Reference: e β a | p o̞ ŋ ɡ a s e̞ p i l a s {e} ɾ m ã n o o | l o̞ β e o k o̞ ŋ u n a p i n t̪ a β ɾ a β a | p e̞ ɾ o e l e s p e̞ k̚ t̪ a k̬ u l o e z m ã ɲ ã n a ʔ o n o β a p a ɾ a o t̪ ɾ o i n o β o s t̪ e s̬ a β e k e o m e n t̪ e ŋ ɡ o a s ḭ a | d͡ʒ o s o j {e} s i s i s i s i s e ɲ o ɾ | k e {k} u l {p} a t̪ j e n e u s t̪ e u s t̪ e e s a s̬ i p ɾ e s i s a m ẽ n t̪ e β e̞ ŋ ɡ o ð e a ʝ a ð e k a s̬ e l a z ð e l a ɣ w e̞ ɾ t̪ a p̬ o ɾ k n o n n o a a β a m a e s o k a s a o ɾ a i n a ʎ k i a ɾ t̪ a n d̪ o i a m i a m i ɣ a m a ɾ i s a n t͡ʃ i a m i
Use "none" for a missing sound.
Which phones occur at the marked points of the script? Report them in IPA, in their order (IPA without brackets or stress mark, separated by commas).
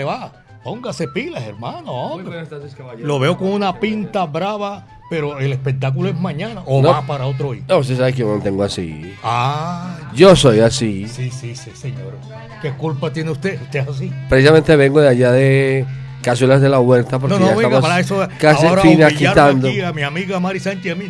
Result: e, a, k, p